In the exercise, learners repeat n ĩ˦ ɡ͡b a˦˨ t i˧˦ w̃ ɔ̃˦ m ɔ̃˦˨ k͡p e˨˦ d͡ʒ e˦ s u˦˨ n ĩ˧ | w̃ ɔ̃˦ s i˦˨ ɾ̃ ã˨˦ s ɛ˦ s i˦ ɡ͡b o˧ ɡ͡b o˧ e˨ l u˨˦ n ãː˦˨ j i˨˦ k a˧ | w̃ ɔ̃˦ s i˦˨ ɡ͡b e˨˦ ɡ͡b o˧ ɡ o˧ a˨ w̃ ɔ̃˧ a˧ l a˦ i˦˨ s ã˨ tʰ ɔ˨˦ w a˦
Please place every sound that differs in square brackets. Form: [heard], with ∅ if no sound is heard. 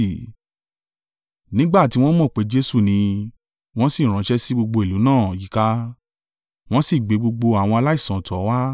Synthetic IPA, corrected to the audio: n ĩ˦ ɡ͡b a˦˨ t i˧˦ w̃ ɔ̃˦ m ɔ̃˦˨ k͡p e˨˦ d͡ʒ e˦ s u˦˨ n ĩ˧ | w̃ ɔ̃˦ s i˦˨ ɾ̃ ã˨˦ [ʃ] ɛ˦ s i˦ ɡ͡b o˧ ɡ͡b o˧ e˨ l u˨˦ n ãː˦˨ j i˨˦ k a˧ | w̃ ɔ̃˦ s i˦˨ ɡ͡b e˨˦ ɡ͡b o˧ [ɡ͡b] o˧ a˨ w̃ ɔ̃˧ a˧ l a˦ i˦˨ s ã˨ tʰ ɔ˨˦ w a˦